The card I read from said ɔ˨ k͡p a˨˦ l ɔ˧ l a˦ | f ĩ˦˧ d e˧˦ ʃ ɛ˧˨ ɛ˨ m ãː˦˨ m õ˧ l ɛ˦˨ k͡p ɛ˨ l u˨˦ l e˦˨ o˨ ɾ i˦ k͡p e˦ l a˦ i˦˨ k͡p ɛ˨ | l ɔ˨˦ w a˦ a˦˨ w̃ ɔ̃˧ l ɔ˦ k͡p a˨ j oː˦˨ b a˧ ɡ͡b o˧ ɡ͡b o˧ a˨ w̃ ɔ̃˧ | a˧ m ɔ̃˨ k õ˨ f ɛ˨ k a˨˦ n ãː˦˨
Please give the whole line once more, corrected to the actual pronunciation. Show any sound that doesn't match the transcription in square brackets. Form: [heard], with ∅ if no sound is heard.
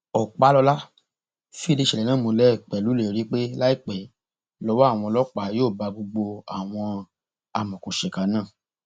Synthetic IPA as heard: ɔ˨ k͡p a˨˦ l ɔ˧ l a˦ | f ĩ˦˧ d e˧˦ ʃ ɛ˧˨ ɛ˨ [n] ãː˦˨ m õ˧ l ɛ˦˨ k͡p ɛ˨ l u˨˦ l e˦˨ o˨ ɾ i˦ k͡p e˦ l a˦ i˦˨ k͡p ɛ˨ | l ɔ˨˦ w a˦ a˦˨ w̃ ɔ̃˧ l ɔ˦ k͡p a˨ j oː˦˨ b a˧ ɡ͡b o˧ ɡ͡b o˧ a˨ w̃ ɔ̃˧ | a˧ m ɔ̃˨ k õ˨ [ʃ] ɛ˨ k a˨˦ n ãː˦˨